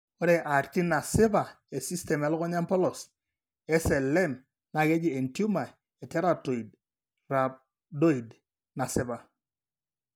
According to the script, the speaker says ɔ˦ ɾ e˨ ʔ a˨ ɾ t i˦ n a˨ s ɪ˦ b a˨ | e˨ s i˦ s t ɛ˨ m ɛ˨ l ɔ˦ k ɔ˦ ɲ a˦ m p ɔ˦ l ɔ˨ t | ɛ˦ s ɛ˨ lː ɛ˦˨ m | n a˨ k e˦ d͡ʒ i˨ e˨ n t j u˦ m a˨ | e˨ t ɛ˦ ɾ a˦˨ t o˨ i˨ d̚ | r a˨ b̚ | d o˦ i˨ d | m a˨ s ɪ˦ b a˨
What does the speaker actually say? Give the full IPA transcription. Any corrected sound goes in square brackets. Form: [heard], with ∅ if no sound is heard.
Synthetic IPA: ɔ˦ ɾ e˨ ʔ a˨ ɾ t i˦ n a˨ s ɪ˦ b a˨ | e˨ s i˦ s t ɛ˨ m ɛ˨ l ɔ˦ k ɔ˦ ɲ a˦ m p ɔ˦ l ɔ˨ [s] | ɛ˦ s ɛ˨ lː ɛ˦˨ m | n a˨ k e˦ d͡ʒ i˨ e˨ n t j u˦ m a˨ | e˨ t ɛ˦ ɾ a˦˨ t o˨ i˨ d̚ | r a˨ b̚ | d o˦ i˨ d | [n] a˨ s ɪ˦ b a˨